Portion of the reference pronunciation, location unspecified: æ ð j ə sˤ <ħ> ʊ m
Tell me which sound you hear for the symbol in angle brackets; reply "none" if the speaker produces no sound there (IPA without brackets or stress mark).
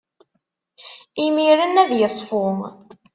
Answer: f